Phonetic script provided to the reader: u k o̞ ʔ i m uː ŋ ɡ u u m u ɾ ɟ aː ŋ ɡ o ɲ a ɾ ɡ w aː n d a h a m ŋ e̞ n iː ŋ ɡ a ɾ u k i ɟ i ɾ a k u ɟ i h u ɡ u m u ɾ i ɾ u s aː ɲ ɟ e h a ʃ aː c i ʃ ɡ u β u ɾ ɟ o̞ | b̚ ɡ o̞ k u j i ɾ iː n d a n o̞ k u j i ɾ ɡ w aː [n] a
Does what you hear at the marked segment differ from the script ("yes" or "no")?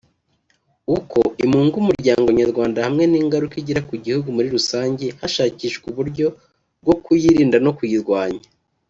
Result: yes